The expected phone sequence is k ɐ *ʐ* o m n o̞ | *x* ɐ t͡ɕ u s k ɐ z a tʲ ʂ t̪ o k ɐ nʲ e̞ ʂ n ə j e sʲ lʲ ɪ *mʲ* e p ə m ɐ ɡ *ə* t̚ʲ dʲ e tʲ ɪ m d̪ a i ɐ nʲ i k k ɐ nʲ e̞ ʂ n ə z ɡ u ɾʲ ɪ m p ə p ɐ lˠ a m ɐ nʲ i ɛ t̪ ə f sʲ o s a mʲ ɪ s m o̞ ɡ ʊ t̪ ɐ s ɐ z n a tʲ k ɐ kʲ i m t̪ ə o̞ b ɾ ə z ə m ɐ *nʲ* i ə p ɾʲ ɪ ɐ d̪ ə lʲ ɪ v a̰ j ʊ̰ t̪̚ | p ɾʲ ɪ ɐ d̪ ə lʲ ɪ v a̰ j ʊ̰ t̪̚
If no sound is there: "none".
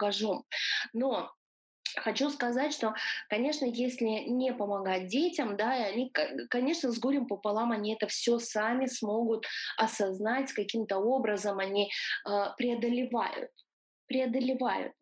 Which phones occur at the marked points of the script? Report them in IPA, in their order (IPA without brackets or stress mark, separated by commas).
ʐ, x, nʲ, a, nʲ